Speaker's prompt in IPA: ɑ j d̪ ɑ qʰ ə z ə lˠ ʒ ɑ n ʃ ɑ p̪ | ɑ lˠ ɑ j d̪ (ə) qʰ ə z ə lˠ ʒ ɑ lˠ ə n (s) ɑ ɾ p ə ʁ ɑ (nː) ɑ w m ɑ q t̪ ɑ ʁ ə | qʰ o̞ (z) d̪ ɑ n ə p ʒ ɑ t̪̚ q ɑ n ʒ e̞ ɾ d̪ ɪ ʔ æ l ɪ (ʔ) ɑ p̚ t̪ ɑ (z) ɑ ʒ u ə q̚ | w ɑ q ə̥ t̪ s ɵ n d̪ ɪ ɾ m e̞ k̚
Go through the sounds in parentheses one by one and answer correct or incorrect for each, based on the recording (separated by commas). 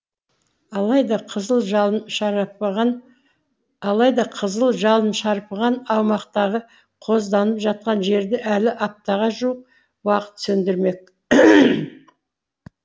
incorrect, incorrect, incorrect, correct, correct, incorrect